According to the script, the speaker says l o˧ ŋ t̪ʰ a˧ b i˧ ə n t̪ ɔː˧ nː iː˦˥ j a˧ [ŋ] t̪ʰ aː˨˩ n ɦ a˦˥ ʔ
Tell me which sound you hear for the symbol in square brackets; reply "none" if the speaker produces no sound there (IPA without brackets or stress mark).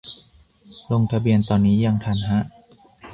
ŋ